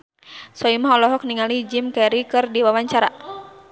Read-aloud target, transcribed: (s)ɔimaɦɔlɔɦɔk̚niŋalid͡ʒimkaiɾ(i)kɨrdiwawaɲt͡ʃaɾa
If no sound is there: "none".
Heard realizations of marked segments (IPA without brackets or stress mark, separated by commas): s, i